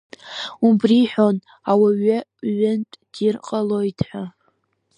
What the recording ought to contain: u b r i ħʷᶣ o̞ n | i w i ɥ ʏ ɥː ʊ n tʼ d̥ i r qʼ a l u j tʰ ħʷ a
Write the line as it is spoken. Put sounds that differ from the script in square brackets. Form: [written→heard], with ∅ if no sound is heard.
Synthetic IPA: u b r i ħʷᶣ o̞ n | [i→a] w [i→a] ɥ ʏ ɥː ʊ n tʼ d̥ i r qʼ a l [u→o] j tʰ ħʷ a

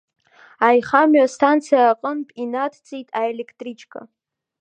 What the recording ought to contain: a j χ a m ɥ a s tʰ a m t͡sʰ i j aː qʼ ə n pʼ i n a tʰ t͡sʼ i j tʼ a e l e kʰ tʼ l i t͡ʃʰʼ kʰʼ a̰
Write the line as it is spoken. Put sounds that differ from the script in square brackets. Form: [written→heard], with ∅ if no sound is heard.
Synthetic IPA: a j χ a m ɥ a s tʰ a [m→n] t͡sʰ i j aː qʼ ə n pʼ i n a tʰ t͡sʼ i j tʼ a e l e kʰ tʼ [l→r] i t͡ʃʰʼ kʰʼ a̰

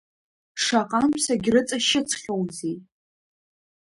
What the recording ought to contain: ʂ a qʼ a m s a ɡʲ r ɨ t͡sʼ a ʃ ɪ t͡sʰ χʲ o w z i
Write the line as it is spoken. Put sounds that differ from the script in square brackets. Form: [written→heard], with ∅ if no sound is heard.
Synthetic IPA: ʂ a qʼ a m s a ɡʲ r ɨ t͡sʼ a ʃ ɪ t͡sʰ χʲ o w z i

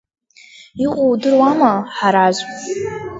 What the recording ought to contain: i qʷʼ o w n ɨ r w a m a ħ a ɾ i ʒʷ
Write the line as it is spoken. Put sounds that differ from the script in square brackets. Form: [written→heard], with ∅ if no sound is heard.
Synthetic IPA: i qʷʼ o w [n→d] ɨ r w a m a ħ a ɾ [i→a] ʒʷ

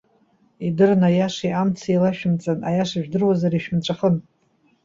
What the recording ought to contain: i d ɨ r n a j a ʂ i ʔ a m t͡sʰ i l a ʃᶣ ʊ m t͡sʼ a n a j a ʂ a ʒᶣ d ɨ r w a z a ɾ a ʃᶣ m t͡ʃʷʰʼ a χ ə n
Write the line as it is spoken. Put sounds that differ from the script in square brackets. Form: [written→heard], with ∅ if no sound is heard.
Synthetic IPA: i d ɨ r n a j a ʂ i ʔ a m t͡sʰ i l a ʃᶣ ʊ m t͡sʼ a n a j a ʂ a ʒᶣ d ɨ r w a z a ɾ [a→i] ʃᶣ m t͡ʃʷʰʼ a χ ə n

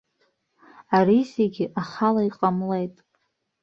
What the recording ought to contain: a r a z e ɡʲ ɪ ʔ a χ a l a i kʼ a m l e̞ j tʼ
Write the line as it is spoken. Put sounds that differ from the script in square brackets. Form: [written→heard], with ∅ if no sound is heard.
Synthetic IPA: a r [a→i] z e ɡʲ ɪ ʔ a χ a l a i [kʼ→qʼ] a m l e̞ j tʼ

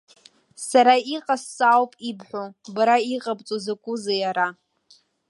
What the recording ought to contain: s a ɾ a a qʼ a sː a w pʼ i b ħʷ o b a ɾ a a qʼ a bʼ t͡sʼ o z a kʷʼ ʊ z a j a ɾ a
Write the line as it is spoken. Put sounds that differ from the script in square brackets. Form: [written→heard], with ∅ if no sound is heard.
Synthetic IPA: s a ɾ a [a→i] qʼ a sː a w pʼ i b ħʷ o b a ɾ a [a→i] qʼ a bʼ t͡sʼ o z a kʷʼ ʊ z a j a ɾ a

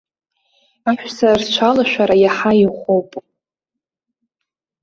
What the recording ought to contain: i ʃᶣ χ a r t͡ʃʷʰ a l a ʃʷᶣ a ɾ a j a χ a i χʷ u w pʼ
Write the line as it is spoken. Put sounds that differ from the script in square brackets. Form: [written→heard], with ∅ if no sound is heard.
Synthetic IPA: [i→a] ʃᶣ [χ→s] a r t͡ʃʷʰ a l a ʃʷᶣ a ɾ a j a [χ→ħ] a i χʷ [u→o] w pʼ

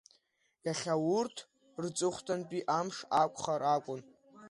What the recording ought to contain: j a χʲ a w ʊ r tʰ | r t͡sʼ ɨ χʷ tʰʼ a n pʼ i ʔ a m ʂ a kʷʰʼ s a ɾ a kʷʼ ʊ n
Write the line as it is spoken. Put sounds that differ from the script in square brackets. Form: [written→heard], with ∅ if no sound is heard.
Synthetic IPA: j a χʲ a w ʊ r tʰ | r t͡sʼ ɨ χʷ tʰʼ a n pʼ i ʔ a m ʂ a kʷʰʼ [s→χ] a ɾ a kʷʼ ʊ n

